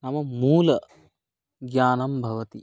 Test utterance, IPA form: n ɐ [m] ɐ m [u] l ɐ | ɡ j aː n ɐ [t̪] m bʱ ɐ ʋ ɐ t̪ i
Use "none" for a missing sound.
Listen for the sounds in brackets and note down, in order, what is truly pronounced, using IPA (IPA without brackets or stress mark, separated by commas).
m, uː, none